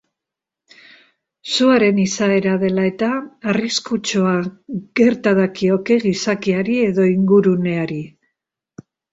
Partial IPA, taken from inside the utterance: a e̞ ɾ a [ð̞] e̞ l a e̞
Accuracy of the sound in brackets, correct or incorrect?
correct